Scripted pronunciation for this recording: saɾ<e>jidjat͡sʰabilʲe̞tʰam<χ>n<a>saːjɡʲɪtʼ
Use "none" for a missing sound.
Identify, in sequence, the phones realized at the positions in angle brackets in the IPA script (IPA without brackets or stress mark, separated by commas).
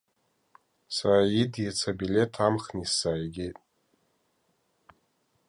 a, χ, i